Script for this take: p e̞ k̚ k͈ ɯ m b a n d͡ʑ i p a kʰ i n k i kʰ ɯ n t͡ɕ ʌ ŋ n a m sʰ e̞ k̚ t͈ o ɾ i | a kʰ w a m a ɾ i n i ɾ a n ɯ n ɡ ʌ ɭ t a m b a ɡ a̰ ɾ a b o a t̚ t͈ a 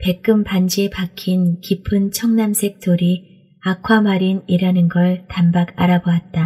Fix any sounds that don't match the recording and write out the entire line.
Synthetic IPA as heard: p e̞ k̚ k͈ ɯ m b a n d͡ʑ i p a kʰ i n k i pʰ ɯ n t͡ɕʰ ʌ ŋ n a m sʰ e̞ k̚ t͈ o ɾ i | a kʰ w a m a ɾ i n i ɾ a n ɯ n ɡ ʌ ɭ t a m b a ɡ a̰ ɾ a b o a t̚ t͈ a